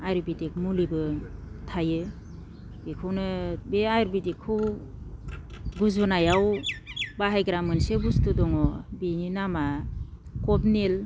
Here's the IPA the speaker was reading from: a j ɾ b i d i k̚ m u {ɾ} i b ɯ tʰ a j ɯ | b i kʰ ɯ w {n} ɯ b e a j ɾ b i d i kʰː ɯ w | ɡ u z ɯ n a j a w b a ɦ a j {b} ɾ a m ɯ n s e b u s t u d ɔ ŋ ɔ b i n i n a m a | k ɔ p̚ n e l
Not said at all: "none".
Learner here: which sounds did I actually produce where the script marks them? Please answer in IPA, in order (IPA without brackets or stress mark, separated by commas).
l, n, ɡ